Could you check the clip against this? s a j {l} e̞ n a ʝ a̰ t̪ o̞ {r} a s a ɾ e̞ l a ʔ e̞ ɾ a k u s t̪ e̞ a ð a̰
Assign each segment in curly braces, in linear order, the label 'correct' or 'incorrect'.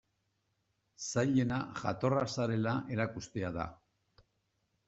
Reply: incorrect, correct

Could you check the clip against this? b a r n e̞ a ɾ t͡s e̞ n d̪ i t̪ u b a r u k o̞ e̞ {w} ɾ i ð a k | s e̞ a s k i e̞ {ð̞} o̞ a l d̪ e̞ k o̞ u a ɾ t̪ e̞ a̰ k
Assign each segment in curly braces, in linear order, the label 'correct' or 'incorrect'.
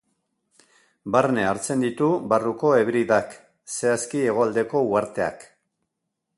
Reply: incorrect, incorrect

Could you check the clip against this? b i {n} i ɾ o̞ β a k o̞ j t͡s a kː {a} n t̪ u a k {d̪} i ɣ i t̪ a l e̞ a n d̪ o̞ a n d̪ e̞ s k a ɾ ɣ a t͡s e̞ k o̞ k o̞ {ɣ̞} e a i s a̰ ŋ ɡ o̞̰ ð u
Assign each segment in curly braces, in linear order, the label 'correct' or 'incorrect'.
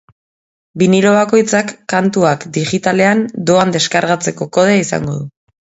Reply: correct, correct, correct, incorrect

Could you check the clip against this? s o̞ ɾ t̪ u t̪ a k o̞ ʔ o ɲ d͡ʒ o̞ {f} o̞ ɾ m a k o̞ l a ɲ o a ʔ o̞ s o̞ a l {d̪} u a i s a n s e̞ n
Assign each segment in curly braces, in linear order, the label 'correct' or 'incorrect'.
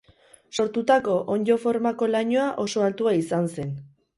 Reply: correct, incorrect

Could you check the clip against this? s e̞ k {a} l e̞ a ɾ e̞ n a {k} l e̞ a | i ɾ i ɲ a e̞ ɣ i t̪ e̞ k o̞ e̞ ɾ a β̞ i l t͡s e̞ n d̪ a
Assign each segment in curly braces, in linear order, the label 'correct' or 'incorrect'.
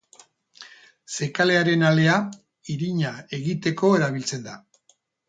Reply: correct, incorrect

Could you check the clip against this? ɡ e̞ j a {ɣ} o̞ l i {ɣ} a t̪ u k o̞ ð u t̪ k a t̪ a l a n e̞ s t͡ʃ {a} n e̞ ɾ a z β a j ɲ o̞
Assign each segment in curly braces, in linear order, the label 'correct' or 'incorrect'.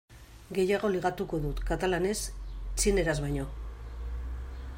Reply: correct, correct, incorrect

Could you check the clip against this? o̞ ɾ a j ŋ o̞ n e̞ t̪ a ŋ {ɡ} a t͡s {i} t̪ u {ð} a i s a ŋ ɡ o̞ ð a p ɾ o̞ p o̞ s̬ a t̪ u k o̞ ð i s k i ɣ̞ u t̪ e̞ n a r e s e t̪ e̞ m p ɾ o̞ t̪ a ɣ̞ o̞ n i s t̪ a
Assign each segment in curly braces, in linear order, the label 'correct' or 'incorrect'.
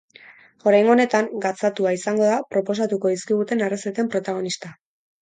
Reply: correct, incorrect, incorrect

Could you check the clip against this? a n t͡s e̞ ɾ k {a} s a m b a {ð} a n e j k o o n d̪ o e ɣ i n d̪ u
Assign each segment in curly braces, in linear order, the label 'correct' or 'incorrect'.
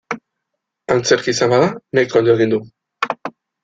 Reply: incorrect, correct

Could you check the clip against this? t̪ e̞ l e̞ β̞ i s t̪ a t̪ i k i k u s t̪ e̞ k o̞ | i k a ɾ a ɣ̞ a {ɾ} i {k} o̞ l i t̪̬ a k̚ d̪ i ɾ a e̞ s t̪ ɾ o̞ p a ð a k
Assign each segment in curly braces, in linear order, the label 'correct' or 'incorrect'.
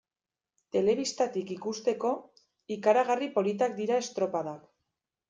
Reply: incorrect, incorrect

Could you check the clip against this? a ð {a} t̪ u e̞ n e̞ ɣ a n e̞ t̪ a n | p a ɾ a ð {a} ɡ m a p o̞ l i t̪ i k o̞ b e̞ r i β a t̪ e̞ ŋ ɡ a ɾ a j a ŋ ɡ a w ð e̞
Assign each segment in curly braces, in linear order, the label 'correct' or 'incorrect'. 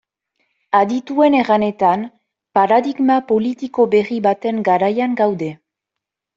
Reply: incorrect, incorrect

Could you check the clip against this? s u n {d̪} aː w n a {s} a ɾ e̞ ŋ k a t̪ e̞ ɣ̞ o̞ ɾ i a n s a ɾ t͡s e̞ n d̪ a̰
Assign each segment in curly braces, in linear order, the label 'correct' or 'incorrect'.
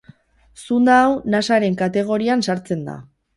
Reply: correct, correct

